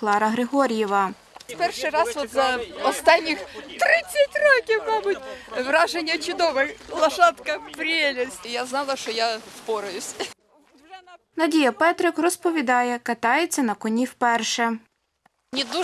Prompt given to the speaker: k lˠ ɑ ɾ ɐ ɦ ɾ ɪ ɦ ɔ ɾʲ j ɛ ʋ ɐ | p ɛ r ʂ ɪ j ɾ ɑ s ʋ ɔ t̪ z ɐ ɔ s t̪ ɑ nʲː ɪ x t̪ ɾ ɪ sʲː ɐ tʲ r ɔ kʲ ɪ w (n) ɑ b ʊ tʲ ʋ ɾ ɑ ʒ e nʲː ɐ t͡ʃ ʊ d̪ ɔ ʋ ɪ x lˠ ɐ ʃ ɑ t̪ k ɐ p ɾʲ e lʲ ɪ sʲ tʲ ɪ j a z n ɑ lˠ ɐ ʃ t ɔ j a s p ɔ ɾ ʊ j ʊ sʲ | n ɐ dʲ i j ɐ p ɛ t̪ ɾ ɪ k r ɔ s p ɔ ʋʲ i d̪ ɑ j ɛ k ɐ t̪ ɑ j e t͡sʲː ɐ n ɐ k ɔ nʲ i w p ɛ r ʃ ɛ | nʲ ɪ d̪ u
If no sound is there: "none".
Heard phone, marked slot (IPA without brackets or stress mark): m